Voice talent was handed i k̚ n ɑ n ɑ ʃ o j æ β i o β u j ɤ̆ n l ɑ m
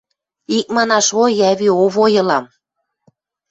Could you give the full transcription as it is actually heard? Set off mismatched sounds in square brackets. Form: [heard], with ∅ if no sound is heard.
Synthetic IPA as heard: i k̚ [m] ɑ n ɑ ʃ o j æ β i o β [o] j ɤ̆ [∅] l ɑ m